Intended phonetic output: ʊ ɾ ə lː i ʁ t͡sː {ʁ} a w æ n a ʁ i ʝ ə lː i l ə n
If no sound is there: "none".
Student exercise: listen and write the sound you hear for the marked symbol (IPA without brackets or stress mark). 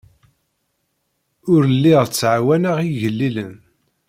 ʕ